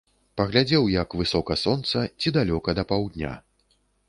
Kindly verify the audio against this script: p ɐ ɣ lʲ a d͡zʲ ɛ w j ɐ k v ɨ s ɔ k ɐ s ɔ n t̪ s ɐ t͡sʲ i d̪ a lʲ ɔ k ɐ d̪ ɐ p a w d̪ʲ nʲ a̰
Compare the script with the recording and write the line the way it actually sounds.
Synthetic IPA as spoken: p ɐ ɣ lʲ a d͡zʲ ɛ w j ɐ k v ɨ s ɔ k ɐ s ɔ n t̪ s ɐ t͡sʲ i d̪ a lʲ ɔ k ɐ d̪ ɐ p a w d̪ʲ nʲ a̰